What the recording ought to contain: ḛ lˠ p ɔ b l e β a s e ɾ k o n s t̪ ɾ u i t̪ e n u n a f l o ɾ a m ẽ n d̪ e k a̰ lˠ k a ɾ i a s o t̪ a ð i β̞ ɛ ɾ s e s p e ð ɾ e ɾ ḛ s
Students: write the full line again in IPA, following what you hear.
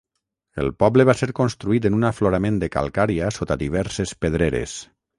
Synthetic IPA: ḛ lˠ p ɔ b l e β a s e ɾ k o n s t̪ ɾ u i t̪ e n u n a f l o ɾ a m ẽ n d̪ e k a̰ lˠ k a ɾ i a s o t̪ a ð i β̞ ɛ ɾ s e s p e ð ɾ e ɾ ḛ s